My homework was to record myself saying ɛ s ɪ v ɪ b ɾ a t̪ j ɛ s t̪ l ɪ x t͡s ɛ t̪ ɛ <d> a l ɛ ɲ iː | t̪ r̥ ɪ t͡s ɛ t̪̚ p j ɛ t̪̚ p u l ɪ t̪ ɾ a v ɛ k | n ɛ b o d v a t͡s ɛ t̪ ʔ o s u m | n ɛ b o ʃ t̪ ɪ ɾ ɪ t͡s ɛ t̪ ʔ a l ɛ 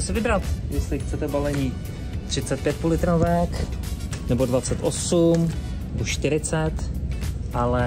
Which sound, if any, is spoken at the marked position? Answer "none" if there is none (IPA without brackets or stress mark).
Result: b